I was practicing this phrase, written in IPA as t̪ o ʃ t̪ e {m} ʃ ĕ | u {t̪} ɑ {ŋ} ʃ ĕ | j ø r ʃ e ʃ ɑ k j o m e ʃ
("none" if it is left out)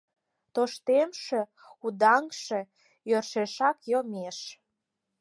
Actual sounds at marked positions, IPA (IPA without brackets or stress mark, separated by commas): m, d̪, ŋ